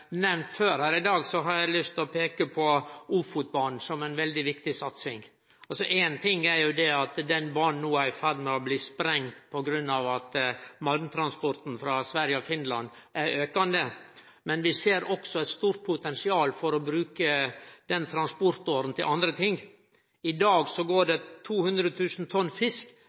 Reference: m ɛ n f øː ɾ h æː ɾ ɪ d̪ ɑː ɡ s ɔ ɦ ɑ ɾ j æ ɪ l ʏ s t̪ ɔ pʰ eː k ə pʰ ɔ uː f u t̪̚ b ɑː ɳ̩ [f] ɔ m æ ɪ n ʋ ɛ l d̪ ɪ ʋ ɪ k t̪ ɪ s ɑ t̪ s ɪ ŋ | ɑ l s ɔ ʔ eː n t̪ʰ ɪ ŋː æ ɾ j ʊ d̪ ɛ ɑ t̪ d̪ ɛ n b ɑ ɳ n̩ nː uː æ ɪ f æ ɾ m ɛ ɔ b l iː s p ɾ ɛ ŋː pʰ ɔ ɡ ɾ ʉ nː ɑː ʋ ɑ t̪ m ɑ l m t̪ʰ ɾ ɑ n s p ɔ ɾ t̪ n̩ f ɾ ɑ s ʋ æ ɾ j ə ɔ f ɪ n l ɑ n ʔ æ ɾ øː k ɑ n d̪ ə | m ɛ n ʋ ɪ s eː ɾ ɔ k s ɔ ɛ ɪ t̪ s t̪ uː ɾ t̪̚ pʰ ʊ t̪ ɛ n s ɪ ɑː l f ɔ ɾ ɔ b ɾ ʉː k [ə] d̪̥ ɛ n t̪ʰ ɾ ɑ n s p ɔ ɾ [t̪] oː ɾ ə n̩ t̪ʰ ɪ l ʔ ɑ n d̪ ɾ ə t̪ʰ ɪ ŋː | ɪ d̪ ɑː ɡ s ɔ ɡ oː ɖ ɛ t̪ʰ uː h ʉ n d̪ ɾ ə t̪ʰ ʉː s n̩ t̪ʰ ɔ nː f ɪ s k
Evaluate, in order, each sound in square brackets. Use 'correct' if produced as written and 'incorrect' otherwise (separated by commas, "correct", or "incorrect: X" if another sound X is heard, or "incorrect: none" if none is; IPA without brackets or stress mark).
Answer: incorrect: s, correct, correct